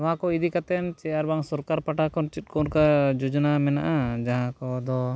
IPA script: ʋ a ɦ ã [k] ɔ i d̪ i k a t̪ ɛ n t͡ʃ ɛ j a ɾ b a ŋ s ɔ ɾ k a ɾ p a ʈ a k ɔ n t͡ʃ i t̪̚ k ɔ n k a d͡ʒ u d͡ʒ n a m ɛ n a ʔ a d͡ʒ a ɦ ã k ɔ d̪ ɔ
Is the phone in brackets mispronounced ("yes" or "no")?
no